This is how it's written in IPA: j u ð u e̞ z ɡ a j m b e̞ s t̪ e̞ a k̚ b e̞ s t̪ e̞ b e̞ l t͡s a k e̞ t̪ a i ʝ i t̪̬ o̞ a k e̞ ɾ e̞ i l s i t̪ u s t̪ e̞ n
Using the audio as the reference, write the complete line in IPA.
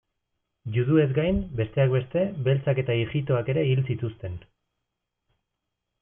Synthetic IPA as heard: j u ð u e̞ z ɡ a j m b e̞ s t̪ e̞ a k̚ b e̞ s t̪ e̞ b e̞ l t͡s a k e̞ t̪ a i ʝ i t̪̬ o̞ a k e̞ ɾ e̞ i l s i t̪ u s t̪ e̞ n

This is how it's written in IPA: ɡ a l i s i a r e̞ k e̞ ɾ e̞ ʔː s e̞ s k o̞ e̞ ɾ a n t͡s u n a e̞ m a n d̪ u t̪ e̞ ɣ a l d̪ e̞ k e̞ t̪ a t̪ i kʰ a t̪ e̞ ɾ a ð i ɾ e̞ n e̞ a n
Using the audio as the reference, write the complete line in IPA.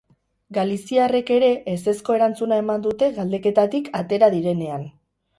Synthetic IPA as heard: ɡ a l i s i a r e̞ k e̞ ɾ e̞ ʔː s e̞ s k o̞ e̞ ɾ a n t͡s u n a e̞ m a n d̪ u t̪ e̞ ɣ a l d̪ e̞ k e̞ t̪ a t̪ i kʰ a t̪ e̞ ɾ a ð i ɾ e̞ n e̞ a n

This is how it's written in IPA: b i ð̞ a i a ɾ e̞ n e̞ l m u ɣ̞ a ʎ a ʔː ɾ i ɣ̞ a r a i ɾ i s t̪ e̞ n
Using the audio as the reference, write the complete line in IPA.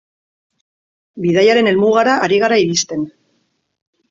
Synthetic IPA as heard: b i ð̞ a j a ɾ e̞ n e̞ l m u ɣ̞ a ɾ a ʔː ɾ i ɣ̞ a ɾ a i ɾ i s t̪ e̞ n

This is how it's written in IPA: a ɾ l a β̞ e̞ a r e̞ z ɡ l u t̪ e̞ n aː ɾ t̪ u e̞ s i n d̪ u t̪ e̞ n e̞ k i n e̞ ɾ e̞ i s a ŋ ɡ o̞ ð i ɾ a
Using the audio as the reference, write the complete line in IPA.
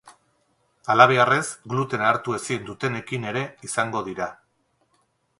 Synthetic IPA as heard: a l a β̞ e̞ a r e̞ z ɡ l u t̪ e̞ n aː ɾ t̪ u e̞ s i n d̪ u t̪ e̞ n e̞ k i n e̞ ɾ e̞ i s a ŋ ɡ o̞ ð i ɾ a

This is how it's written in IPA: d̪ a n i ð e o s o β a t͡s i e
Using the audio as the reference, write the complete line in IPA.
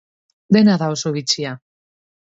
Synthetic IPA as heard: d̪ e n a ð a o s o β i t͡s i a

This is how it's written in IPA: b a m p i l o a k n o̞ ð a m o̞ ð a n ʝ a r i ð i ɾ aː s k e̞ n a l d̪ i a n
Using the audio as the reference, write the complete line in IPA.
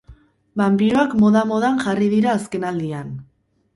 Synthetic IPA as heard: b a m p i ɾ o a k m o̞ ð a m o̞ ð a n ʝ a r i ð i ɾ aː s k e̞ n a l d̪ i a n

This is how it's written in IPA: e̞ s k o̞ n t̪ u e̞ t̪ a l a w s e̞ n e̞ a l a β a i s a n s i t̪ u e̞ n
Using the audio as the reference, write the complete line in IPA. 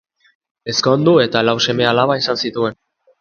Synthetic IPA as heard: e̞ s k o̞ n d̪ u e̞ t̪ a l a w s e̞ m e̞ a l a β a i s a n s i t̪ u e̞ n

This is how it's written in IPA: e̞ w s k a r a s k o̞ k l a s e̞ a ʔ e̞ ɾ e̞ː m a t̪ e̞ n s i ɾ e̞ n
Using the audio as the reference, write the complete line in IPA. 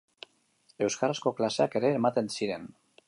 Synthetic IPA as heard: e̞ w s k a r a s k o̞ k l a s e̞ a k e̞ ɾ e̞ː m a t̪ e̞ n s i ɾ e̞ n

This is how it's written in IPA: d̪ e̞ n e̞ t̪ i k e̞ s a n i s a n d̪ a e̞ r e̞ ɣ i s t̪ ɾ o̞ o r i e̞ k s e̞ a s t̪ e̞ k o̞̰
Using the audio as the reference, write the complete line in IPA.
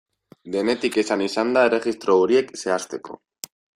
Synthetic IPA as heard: d̪ e̞ n e̞ t̪ i k e̞ s a n i s a n d̪ a e̞ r e̞ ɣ i s t̪ ɾ o̞ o ɾ i e̞ k s e̞ a s t̪ e̞ k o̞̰

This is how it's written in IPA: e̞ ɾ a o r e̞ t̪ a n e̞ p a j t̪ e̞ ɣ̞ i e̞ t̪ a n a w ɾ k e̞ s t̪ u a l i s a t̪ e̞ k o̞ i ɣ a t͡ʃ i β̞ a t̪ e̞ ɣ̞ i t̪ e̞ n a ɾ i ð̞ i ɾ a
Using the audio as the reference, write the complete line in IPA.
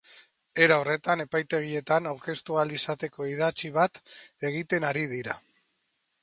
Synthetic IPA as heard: e̞ ɾ a o r e̞ t̪ a n e̞ p a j t̪ e̞ ɣ̞ i e̞ t̪ a n a w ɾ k e̞ s t̪ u a l i s a t̪ e̞ k o̞ i ð a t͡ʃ i β̞ a t̪ e̞ ɣ̞ i t̪ e̞ n a ɾ i ð̞ i ɾ a

